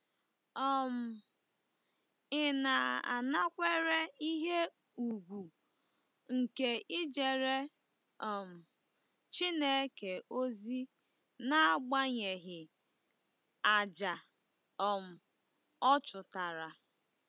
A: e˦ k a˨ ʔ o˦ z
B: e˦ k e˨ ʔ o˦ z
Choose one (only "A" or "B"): B